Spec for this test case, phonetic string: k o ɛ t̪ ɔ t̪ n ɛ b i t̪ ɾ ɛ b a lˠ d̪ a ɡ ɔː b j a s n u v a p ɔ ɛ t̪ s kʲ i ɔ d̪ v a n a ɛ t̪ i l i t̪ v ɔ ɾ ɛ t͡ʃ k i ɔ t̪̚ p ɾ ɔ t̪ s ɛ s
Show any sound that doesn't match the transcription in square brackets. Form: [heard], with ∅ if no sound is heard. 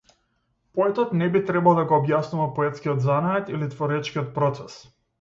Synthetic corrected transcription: [p] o ɛ t̪ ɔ t̪ n ɛ b i t̪ ɾ ɛ b a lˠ d̪ a ɡ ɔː b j a s n u v a p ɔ ɛ t̪ s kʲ i ɔ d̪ [z] a n a ɛ t̪ i l i t̪ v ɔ ɾ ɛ t͡ʃ k i ɔ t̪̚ p ɾ ɔ t̪ s ɛ s